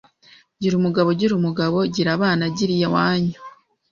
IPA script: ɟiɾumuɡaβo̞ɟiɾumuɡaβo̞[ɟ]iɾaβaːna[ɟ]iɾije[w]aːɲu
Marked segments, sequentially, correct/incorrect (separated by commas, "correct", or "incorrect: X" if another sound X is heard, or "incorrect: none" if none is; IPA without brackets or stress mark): correct, correct, correct